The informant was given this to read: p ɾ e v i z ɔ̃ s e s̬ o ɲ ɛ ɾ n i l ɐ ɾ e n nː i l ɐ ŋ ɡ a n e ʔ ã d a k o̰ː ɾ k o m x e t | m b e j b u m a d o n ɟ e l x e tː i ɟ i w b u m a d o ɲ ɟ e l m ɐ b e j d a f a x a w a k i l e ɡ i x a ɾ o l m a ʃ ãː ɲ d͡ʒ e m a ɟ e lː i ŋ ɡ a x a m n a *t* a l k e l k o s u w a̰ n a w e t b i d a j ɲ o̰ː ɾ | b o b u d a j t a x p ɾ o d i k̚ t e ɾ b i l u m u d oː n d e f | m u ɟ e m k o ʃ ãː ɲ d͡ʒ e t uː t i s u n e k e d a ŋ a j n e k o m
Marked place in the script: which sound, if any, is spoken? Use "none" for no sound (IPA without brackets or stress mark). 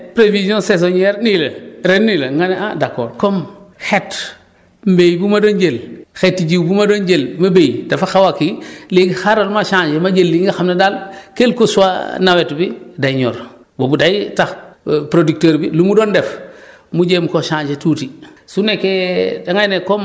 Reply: d